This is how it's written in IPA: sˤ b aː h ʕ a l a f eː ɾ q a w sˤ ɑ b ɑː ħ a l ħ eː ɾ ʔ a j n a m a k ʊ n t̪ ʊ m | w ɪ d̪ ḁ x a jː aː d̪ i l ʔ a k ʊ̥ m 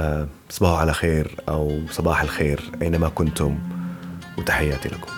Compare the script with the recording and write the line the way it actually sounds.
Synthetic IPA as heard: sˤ b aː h ʕ a l a x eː ɾ ʔ a w sˤ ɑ b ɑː ħ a l x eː ɾ ʔ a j n a m a k ʊ n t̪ ʊ m | w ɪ t̪ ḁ ħ a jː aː t̪ i l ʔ a k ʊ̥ m